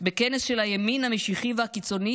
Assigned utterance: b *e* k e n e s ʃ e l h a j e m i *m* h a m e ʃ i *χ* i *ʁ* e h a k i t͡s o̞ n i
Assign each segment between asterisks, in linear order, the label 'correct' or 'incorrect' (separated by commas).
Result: correct, incorrect, correct, incorrect